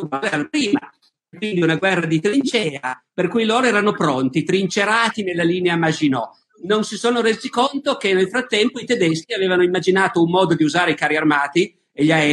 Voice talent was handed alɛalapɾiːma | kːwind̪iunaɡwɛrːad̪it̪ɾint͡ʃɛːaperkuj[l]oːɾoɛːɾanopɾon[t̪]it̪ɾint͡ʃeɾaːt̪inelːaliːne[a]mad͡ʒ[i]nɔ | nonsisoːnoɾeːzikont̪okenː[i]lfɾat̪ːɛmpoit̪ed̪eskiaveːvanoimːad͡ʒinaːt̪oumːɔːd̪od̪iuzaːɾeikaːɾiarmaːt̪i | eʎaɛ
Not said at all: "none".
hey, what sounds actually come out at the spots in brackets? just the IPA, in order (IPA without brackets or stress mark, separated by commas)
l, t̪, a, i, e